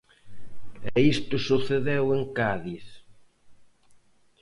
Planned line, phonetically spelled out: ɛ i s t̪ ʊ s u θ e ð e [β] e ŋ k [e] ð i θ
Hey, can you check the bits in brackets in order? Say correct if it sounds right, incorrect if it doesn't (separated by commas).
incorrect, incorrect